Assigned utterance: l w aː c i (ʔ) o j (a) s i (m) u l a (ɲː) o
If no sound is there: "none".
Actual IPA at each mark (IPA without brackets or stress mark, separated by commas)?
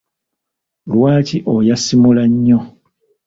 ʔ, a, m, ɲː